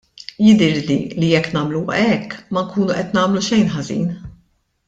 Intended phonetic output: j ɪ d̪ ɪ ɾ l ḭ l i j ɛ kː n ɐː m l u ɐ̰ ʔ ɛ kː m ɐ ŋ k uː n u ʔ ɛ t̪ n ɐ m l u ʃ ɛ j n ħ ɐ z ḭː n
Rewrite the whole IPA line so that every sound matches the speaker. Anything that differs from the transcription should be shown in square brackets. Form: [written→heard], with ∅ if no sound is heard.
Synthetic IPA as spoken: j ɪ d̪ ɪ ɾ l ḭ l i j ɛ kː n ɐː m l u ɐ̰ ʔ ɛ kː m ɐ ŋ k uː n u ʔ ɛ t̪ n [ɐ→ɐː] m l u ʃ ɛ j n ħ ɐ z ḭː n

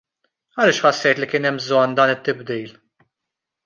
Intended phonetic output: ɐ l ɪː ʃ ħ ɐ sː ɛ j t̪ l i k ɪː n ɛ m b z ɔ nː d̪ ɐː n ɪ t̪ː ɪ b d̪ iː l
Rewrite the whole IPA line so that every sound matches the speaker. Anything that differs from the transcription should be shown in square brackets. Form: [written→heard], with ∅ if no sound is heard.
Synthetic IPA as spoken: ɐ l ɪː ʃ ħ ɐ sː ɛ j t̪ l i k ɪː n ɛ m b z ɔ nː d̪ ɐː n ɪ t̪ː ɪ b d̪ iː l

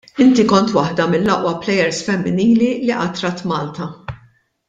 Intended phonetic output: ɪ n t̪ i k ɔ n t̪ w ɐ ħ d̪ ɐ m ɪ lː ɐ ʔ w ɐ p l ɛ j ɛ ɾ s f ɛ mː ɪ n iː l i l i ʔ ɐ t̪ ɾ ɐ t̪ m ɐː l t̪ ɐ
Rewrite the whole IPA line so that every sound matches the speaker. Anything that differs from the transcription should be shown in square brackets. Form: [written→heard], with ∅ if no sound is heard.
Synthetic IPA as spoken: ɪ n t̪ i k ɔ n t̪ w ɐ ħ d̪ ɐ m ɪ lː ɐ ʔ w ɐ p l ɛ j ɛ ɾ s f ɛ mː ɪ n iː l i l i ʔ ɐ t̪ ɾ ɐ t̪ m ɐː l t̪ ɐ

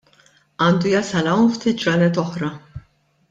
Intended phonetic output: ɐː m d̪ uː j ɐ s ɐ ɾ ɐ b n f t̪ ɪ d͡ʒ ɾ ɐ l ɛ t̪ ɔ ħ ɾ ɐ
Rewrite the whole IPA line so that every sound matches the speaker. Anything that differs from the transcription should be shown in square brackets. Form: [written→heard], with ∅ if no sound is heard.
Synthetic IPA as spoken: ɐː [m→n] d̪ [uː→u] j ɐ s ɐ [ɾ→l] ɐ [b→w] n f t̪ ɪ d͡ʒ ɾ ɐ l ɛ t̪ ɔ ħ ɾ ɐ

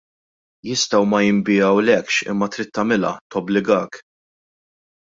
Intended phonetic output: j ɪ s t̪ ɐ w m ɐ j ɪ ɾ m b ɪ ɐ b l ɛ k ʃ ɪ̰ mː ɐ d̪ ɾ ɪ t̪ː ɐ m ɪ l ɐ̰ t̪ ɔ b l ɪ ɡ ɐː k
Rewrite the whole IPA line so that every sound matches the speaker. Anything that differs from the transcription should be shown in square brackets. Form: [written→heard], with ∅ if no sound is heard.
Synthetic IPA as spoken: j ɪ s t̪ ɐ w m ɐ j ɪ [ɾ→∅] m b ɪ ɐ [b→w] l ɛ k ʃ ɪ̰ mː ɐ [d̪→t̪] ɾ ɪ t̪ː ɐ m ɪ l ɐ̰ t̪ ɔ b l ɪ ɡ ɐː k

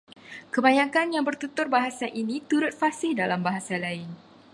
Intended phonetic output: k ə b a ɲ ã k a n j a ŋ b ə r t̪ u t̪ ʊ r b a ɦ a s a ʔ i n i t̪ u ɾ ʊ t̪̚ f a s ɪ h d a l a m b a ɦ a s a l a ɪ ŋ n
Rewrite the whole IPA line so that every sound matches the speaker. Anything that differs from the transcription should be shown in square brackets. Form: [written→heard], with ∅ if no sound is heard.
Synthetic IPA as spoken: k ə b a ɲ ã k a n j a ŋ b ə r t̪ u t̪ ʊ r b a ɦ a s a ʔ i n i t̪ u ɾ ʊ t̪̚ f a s ɪ h d a l a m b a ɦ a s a l a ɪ [ŋ→∅] n

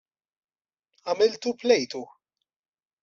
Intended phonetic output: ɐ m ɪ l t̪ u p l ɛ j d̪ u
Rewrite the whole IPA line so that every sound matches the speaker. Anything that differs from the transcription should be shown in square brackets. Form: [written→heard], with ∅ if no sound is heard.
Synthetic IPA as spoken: ɐ m ɪ l t̪ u p l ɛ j [d̪→t̪] u

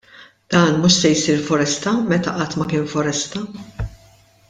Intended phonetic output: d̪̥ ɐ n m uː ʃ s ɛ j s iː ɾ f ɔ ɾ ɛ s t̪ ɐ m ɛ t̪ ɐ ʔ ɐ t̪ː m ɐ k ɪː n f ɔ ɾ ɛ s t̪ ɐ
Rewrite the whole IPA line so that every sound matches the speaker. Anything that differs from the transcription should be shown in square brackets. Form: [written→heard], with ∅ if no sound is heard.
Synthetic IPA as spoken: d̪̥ [ɐ→ɐː] n m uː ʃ s ɛ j s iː ɾ f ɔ ɾ ɛ s t̪ ɐ m ɛ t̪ ɐ ʔ ɐ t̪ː m ɐ k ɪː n f ɔ ɾ ɛ s t̪ ɐ

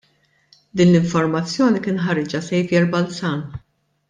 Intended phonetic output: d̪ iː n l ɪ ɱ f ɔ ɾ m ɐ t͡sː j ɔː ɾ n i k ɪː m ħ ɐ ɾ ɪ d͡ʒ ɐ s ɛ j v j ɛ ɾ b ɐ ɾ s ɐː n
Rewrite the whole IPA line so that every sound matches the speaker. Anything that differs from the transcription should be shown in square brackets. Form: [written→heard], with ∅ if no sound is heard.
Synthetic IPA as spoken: d̪ iː n l ɪ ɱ f ɔ ɾ m ɐ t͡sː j ɔː [ɾ→∅] n i k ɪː [m→n] ħ ɐ ɾ ɪ d͡ʒ ɐ s ɛ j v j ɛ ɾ b ɐ [ɾ→l] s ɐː n

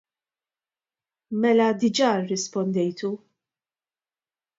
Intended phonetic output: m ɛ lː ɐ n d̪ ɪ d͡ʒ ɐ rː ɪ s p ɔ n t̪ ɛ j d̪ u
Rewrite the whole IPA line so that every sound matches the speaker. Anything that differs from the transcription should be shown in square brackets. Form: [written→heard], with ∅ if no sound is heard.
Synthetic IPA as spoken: m ɛ [lː→l] ɐ [n→∅] d̪ ɪ d͡ʒ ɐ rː ɪ s p ɔ n [t̪→d̪] ɛ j [d̪→t̪] u

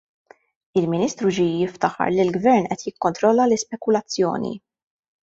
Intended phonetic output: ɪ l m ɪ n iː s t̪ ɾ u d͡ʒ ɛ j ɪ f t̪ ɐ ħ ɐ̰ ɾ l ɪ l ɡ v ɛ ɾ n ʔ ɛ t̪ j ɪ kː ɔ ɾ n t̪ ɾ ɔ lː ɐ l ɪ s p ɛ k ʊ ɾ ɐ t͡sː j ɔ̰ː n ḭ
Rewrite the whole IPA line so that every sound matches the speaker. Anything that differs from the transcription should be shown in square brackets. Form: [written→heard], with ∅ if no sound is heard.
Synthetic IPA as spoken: ɪ l m ɪ n iː s t̪ ɾ u d͡ʒ [ɛ→i] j ɪ f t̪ ɐ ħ ɐ̰ ɾ l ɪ l ɡ v ɛ ɾ n ʔ ɛ t̪ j ɪ kː ɔ [ɾ→∅] n t̪ ɾ ɔ lː ɐ l ɪ s p ɛ k ʊ [ɾ→l] ɐ t͡sː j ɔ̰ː n ḭ

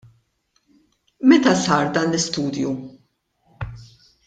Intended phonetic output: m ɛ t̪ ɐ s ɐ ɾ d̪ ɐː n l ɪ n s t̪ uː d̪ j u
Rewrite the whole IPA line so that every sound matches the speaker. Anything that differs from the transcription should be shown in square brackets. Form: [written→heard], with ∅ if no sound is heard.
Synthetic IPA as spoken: m ɛ t̪ ɐ s [ɐ→ɐː] ɾ d̪ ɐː n l ɪ [n→∅] s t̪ uː d̪ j u

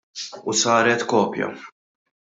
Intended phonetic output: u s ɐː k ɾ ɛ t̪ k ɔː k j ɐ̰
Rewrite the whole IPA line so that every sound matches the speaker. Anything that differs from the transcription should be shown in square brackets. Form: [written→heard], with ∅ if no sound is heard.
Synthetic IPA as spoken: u s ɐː [k→∅] ɾ ɛ t̪ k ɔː [k→p] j ɐ̰

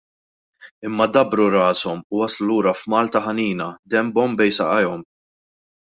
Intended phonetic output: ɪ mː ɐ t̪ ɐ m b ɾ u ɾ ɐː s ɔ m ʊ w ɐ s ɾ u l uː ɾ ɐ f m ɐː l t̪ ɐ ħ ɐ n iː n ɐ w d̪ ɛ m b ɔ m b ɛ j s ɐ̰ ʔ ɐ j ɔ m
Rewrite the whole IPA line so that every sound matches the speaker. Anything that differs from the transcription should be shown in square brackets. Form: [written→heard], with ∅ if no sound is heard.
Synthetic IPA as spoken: ɪ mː ɐ [t̪→d̪] ɐ [m→∅] b ɾ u ɾ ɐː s ɔ m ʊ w ɐ s [ɾ→l] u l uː ɾ ɐ f m ɐː l t̪ ɐ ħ ɐ n iː n ɐ [w→∅] d̪ ɛ m b ɔ m b ɛ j s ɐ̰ ʔ ɐ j ɔ m

